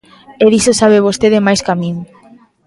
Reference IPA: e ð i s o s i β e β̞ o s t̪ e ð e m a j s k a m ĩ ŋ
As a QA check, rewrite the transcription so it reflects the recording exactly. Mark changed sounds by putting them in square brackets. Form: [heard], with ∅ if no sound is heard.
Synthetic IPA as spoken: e ð i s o s [a] β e β̞ o s t̪ e ð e m a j s k a m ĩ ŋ

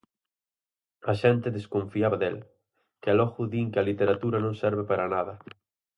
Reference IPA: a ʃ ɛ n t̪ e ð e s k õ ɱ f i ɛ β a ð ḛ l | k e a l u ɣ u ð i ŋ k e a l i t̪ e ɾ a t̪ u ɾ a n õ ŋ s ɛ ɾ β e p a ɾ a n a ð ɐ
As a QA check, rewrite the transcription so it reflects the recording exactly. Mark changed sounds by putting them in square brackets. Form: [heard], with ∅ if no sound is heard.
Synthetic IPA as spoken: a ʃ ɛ n t̪ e ð e s k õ ɱ f i [a] β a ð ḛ l | k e a l [ɔ] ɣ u ð i ŋ k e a l i t̪ e ɾ a t̪ u ɾ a n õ ŋ s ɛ ɾ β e p a ɾ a n a ð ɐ

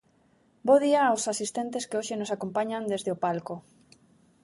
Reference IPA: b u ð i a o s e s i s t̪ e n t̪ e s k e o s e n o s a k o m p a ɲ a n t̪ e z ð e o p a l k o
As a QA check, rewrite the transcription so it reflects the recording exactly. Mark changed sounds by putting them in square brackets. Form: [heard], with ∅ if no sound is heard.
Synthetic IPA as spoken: b [o] ð i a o s [a] s i s t̪ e n t̪ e s k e o [ʃ] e n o s a k o m p a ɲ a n [d̪] e z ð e o p a l k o

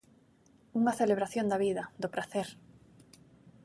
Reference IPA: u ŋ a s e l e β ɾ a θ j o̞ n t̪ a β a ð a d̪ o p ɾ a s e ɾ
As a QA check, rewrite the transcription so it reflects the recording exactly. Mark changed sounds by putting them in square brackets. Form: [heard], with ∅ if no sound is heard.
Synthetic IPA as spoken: u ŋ a [θ] e l e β ɾ a θ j o̞ n [d̪] a β [i] ð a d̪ o p ɾ a [θ] e ɾ

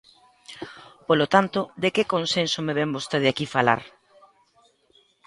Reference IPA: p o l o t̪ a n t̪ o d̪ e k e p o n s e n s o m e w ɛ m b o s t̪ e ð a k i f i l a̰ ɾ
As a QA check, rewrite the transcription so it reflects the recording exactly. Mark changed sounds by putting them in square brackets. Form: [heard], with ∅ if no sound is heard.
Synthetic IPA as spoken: p o l o t̪ a n t̪ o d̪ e k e [k] o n s e n s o m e [β] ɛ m b o s t̪ e ð a k i f [a] l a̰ ɾ

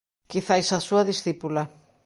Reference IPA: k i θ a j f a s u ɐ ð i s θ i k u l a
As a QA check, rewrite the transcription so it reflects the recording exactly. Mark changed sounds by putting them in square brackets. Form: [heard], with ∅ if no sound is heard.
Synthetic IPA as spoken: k i θ a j [s] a s u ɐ ð i s θ i [p] u l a

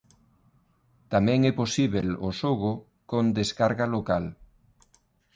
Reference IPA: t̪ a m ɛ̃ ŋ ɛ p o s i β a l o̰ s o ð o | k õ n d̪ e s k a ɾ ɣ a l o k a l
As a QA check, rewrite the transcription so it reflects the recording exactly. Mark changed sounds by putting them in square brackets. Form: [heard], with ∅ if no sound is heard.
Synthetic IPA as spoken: t̪ a m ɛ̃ ŋ ɛ p o s i β [e] l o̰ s o [ɣ] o | k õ n d̪ e s k a ɾ ɣ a l o k a l

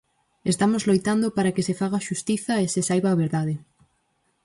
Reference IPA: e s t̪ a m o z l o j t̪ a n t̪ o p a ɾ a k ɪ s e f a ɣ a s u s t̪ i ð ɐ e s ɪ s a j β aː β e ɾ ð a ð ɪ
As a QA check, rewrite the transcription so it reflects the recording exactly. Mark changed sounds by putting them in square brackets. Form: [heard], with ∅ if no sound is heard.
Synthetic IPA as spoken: e s t̪ a m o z l o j t̪ a n [d̪] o p a ɾ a k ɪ s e f a ɣ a [ʃ] u s t̪ i [θ] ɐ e s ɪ s a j β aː β e ɾ ð a ð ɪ

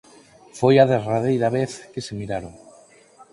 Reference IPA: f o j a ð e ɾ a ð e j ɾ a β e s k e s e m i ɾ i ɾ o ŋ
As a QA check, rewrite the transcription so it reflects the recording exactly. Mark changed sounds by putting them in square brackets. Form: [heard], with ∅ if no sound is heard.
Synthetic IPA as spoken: f o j a ð e [r] a ð e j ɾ a β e [θ] k e s e m i ɾ [a] ɾ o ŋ

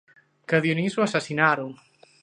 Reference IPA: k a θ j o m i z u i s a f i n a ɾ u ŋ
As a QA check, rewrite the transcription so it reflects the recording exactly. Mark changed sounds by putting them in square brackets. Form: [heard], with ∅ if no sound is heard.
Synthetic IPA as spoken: k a [ð] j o [n] i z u [a] s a [s] i n a ɾ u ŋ

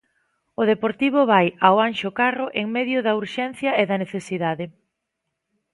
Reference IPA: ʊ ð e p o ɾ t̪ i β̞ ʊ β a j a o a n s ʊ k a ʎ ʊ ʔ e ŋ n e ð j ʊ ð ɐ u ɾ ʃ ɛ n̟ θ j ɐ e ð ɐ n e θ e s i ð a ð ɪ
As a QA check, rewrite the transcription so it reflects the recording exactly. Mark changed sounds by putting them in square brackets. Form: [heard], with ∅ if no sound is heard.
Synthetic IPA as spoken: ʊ ð e p o ɾ t̪ i β̞ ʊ β a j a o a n [ʃ] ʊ k a [r] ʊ ʔ e ŋ [m] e ð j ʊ ð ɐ u ɾ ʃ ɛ n̟ θ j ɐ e ð ɐ n e θ e s i ð a ð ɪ

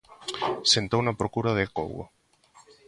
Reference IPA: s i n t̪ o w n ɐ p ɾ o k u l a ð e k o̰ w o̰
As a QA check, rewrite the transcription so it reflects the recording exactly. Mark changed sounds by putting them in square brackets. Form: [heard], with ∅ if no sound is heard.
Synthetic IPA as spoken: s [e] n t̪ o w n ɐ p ɾ o k u [ɾ] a ð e k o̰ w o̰

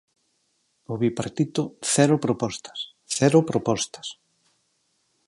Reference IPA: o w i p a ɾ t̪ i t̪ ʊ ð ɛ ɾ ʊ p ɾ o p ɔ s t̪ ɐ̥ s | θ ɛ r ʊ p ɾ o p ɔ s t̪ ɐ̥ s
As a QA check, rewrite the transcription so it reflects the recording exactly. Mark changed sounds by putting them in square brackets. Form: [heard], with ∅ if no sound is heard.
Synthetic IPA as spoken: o [β] i p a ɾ t̪ i t̪ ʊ [θ] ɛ ɾ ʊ p ɾ o p ɔ s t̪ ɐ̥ s | θ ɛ [ɾ] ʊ p ɾ o p ɔ s t̪ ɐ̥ s

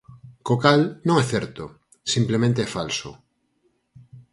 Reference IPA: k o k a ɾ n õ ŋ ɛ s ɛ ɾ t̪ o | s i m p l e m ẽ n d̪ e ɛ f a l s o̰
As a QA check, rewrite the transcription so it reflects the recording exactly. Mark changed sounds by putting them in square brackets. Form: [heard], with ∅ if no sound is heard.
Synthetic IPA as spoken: k o k a [l] n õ ŋ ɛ [θ] ɛ ɾ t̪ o | s i m p l e m ẽ n [t̪] e ɛ f a l s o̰

